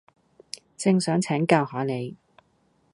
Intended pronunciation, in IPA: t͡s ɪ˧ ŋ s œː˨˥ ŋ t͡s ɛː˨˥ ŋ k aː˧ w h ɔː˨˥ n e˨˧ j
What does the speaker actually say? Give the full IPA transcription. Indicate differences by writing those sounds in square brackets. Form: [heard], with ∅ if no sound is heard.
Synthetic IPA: t͡s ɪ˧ ŋ s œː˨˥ ŋ [t͡sʰ] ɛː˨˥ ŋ k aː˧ w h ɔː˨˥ n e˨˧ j